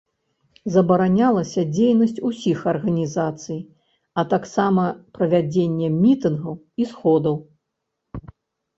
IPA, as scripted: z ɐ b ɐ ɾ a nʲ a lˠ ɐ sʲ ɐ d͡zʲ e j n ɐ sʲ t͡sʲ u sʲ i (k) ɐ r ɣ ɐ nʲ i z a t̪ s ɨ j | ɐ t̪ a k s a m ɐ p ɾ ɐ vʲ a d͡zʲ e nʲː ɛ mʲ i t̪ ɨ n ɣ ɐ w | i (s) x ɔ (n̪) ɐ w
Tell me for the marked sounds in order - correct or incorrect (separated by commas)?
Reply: incorrect, correct, incorrect